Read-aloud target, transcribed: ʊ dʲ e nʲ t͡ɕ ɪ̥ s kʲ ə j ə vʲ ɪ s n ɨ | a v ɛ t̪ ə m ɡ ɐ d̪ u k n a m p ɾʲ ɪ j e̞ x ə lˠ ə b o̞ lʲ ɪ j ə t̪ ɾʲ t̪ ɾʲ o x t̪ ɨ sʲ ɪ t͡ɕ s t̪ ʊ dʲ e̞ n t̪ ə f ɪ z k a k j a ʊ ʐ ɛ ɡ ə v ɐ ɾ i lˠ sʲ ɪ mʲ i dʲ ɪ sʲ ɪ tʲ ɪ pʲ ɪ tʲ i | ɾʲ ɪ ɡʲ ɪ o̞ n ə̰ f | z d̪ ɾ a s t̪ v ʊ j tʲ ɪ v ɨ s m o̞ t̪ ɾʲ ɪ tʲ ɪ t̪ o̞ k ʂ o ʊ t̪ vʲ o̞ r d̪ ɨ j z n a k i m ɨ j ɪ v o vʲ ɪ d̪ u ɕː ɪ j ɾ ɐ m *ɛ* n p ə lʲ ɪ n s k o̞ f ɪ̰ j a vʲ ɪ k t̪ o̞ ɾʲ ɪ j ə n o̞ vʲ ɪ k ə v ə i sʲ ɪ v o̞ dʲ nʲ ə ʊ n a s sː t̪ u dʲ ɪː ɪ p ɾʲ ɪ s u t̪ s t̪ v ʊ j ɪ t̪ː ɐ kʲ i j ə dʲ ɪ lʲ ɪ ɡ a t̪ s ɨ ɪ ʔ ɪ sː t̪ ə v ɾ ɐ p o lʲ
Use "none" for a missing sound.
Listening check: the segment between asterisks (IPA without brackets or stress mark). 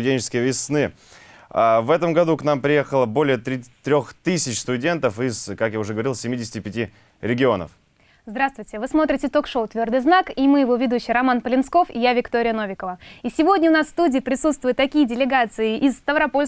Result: a